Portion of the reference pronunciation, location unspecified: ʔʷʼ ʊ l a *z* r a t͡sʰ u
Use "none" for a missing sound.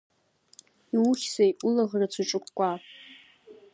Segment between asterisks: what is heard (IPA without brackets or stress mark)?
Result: ʁ